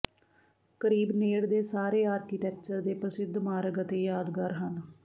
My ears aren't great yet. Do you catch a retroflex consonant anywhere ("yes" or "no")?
yes